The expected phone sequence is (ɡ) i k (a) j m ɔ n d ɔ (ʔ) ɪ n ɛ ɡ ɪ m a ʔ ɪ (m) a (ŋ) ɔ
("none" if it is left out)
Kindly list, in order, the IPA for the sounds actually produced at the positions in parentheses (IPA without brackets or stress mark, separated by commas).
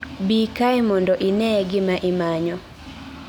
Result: b, a, ʔ, m, ɲ